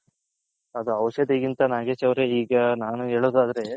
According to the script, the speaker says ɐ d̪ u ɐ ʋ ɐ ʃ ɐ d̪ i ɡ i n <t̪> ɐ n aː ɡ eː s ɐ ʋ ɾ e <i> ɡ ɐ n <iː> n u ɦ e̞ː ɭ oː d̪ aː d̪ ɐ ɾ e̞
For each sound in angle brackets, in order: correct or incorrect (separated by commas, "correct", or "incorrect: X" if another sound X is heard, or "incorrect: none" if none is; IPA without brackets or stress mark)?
correct, incorrect: iː, incorrect: aː